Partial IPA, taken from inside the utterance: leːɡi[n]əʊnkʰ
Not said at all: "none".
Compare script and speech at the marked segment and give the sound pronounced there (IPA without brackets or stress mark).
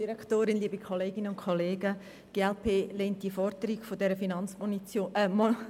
n